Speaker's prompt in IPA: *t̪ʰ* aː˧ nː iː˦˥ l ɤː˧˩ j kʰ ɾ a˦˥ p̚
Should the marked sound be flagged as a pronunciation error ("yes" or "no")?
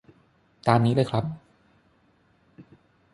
yes